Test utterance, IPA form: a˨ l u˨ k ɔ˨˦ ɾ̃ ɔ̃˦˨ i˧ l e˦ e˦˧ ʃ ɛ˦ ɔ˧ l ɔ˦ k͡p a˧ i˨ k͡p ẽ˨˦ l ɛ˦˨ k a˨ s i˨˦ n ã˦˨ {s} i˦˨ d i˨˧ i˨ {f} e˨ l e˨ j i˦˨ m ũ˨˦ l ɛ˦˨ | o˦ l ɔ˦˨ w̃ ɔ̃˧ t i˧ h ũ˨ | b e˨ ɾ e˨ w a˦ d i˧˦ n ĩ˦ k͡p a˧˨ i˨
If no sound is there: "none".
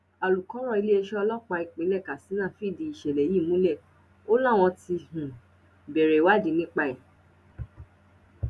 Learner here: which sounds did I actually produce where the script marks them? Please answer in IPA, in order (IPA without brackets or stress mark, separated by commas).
f, ʃ